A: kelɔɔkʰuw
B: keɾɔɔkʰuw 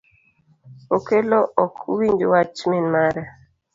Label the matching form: A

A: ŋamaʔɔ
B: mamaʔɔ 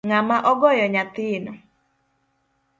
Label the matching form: A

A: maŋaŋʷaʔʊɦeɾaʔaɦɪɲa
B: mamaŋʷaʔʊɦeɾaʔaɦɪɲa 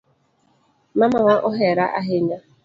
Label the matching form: B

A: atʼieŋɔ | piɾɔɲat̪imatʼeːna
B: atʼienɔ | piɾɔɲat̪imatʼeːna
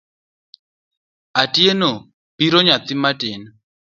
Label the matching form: B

